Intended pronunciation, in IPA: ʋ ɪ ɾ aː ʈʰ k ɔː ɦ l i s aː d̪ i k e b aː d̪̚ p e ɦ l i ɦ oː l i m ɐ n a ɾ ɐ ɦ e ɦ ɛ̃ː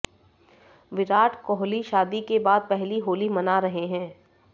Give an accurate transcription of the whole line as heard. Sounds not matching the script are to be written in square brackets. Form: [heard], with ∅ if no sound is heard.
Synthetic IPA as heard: ʋ ɪ ɾ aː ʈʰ k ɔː ɦ l i [ʃ] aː d̪ i k e b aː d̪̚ p [ɛ] ɦ l i ɦ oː l i m ɐ n a ɾ ɐ ɦ e ɦ ɛ̃ː